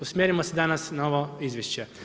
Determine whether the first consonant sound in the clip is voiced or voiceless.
voiceless